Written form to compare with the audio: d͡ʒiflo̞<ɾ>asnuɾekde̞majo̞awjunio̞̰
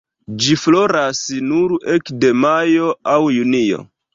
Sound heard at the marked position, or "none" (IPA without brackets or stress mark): ɾ